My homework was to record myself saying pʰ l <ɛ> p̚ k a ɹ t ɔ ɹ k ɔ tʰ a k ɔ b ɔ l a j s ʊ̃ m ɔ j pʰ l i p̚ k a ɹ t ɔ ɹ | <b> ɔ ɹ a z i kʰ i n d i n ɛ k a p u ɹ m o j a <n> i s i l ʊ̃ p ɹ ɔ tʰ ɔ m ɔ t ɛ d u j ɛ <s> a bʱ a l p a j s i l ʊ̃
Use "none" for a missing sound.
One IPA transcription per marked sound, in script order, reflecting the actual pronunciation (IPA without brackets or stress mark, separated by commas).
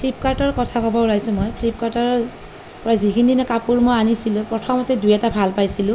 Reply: i, p, n, t